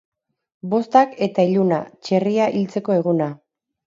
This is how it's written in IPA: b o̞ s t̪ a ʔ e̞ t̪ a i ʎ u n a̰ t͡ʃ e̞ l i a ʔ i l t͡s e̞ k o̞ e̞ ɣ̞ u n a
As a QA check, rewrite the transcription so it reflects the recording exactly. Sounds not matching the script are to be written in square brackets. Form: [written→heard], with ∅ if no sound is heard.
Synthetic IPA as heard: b o̞ s t̪ a [ʔ→k] e̞ t̪ a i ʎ u n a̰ t͡ʃ e̞ [l→r] i a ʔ i l t͡s e̞ k o̞ e̞ ɣ̞ u n a